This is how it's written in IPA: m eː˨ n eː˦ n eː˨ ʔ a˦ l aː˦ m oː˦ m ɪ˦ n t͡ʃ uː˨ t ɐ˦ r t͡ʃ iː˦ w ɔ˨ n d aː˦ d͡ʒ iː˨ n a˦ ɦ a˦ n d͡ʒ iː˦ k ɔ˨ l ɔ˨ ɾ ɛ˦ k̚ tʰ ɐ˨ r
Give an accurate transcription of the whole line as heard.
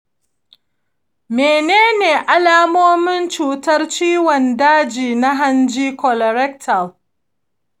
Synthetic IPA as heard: m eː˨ n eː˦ n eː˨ ʔ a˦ l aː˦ m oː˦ m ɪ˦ n t͡ʃ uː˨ t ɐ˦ r t͡ʃ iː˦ w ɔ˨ n d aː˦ d͡ʒ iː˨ n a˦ ɦ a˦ n d͡ʒ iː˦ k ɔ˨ l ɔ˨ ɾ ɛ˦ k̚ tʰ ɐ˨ l